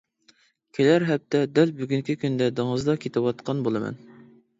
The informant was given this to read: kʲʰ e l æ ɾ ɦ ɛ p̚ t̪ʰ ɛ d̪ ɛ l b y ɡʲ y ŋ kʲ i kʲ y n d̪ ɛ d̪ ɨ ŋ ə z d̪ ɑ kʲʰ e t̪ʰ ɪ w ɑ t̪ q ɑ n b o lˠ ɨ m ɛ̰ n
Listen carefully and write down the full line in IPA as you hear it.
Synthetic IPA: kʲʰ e l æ ɾ ɦ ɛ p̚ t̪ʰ ɛ d̪ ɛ l b y ɡʲ y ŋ kʲ i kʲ y n d̪ ɛ d̪ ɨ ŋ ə z d̪ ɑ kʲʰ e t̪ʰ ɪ w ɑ t̪ q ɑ n b o lˠ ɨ m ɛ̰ n